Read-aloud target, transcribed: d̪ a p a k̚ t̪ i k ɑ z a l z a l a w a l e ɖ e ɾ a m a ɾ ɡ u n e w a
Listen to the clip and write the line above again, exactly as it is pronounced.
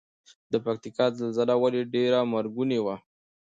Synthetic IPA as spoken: d̪ ə p a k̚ t̪ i k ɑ z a l z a l a w a l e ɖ e ɾ a m a ɾ ɡ u n e w a